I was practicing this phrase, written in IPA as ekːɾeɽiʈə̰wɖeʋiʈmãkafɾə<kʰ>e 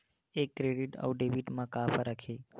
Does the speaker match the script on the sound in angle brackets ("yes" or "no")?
yes